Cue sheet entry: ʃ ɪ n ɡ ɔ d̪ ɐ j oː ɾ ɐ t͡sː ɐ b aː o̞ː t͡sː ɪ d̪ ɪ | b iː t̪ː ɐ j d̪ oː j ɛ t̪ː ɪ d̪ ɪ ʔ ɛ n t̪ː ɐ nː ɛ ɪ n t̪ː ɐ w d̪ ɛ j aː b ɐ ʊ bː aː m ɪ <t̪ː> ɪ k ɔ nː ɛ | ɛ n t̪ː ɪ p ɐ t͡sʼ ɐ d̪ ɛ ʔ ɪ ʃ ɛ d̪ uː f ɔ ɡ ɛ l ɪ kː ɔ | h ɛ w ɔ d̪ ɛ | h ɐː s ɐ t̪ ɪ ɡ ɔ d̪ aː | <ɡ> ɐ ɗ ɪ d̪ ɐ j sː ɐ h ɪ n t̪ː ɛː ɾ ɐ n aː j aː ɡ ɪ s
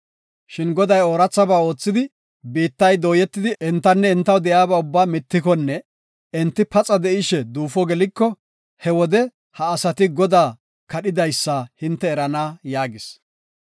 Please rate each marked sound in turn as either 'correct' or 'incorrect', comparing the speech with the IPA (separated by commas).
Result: correct, incorrect